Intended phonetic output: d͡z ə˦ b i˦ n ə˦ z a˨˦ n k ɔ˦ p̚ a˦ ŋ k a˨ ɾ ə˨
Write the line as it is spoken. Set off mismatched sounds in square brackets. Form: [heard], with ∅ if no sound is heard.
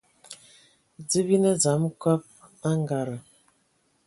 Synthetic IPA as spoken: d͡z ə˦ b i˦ n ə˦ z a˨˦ [m] k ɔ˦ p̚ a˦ ŋ [ɡ] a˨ ɾ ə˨